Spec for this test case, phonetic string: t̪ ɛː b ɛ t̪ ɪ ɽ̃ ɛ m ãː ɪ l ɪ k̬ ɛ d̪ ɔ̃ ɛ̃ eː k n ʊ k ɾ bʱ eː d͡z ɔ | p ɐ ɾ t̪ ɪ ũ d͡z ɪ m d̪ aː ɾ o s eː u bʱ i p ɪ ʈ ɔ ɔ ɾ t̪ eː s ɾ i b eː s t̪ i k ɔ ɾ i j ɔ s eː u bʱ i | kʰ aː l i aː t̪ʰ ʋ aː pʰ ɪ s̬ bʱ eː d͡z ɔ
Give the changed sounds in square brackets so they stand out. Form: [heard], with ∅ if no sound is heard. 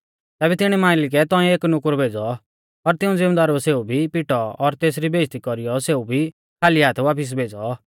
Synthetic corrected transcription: t̪ ɛː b ɛ t̪ ɪ ɽ̃ ɛ m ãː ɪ l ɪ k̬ ɛ [t̪] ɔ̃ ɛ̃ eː k n ʊ k ɾ bʱ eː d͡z ɔ | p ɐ ɾ t̪ ɪ ũ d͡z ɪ m d̪ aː ɾ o s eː u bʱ i p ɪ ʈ ɔ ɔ ɾ t̪ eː s ɾ i b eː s t̪ i k ɔ ɾ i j ɔ s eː u bʱ i | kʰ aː l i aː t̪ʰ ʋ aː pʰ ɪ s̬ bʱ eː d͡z ɔ